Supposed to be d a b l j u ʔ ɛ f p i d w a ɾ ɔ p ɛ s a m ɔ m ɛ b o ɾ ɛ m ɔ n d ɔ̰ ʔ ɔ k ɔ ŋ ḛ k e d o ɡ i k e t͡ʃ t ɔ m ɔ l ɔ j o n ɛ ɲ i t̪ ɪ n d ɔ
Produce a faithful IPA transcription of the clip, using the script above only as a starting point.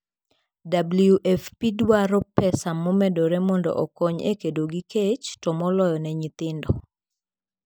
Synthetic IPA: d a b l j u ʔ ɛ f p i d w a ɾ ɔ p ɛ s a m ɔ m ɛ d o ɾ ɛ m ɔ n d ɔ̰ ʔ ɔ k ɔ ɲ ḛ k e d o ɡ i k e t͡ʃ t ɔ m ɔ l ɔ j ɔ n ɛ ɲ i t̪ ɪ n d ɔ